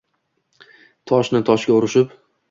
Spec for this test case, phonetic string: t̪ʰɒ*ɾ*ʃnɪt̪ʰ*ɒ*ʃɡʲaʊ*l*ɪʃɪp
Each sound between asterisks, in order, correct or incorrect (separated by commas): incorrect, correct, incorrect